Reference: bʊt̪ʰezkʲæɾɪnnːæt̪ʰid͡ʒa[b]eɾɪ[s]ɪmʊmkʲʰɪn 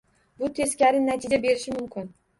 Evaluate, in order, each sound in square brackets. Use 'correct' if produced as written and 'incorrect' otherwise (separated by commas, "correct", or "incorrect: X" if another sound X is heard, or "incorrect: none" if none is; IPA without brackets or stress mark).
correct, incorrect: ʃ